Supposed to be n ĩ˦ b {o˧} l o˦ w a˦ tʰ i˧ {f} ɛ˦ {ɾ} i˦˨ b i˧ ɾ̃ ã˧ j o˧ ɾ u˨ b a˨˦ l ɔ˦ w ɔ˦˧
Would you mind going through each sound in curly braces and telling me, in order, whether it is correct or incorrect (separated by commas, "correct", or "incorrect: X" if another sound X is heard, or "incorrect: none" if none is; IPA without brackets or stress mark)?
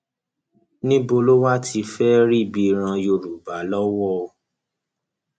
correct, correct, correct